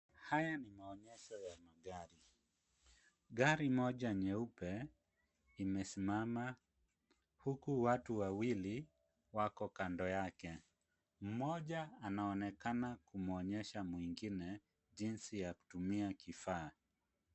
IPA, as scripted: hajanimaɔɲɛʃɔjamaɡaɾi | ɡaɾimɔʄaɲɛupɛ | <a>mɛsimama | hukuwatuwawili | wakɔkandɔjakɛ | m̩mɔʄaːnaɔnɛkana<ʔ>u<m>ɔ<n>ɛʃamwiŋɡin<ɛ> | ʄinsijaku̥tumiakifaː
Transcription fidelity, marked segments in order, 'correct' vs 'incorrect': incorrect: i, incorrect: k, correct, incorrect: ɲ, correct

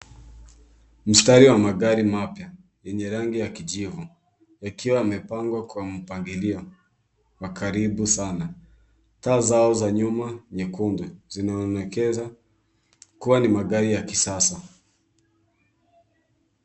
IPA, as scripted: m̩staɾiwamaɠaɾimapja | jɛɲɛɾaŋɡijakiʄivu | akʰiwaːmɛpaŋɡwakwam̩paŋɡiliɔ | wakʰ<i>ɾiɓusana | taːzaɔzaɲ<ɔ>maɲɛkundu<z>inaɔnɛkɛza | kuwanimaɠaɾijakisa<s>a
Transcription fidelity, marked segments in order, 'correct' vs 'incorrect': incorrect: a, incorrect: u, correct, correct

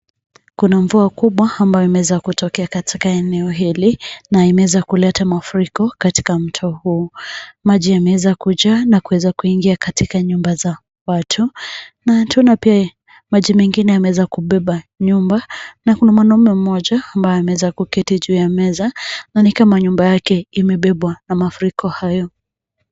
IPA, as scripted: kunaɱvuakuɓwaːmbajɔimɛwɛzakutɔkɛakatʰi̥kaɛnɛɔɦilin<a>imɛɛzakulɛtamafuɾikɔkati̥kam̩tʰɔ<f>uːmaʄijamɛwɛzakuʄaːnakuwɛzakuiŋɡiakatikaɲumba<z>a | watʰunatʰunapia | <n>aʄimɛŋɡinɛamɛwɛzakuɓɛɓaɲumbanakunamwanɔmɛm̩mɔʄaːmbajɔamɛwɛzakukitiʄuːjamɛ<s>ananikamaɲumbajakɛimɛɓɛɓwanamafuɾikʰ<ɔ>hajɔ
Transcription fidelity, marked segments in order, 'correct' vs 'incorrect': correct, incorrect: h, correct, incorrect: m, incorrect: z, correct

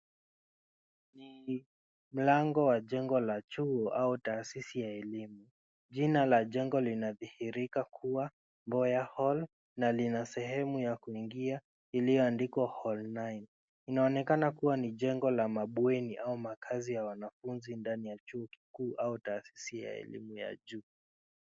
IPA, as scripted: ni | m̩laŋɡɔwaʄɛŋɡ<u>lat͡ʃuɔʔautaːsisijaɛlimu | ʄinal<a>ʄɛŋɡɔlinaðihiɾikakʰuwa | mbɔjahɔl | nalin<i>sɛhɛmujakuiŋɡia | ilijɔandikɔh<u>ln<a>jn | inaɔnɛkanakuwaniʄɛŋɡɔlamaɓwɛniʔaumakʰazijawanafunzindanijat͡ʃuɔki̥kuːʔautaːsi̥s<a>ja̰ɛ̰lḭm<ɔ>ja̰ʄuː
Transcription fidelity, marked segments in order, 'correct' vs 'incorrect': incorrect: ɔ, correct, incorrect: a, incorrect: ɔ, correct, incorrect: i, incorrect: u

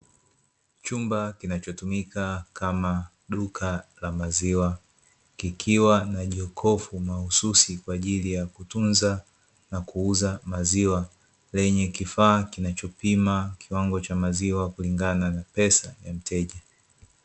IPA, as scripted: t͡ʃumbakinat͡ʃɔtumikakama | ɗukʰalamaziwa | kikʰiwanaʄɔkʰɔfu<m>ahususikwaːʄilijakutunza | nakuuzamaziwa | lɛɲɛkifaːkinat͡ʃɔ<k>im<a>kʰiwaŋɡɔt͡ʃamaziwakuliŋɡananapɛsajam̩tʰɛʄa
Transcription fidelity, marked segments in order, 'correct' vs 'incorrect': correct, incorrect: p, correct

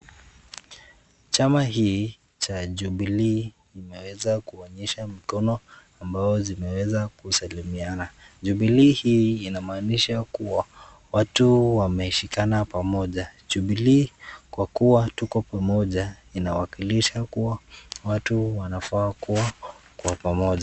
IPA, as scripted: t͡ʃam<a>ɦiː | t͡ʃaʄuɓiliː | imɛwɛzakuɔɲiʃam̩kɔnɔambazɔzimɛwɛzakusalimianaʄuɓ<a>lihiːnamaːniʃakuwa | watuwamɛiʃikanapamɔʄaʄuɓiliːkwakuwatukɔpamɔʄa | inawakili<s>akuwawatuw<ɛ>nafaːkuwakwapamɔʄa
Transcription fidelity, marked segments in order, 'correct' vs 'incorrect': correct, incorrect: i, incorrect: ʃ, incorrect: a

